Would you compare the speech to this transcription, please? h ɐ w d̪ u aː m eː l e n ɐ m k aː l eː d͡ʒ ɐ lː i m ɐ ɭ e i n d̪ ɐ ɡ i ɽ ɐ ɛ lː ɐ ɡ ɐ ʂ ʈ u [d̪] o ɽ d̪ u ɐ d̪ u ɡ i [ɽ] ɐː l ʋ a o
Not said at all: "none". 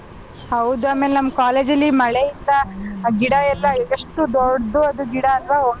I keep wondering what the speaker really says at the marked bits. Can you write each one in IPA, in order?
d̪, ɽ

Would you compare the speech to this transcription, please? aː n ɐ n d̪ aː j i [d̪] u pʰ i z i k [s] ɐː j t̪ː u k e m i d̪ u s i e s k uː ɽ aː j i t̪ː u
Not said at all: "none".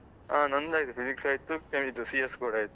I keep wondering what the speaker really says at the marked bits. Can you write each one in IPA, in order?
t̪, s

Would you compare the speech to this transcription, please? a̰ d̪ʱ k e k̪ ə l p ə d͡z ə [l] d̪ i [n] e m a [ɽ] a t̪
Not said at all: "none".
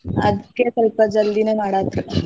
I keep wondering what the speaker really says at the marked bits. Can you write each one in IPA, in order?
l, n, ɽ

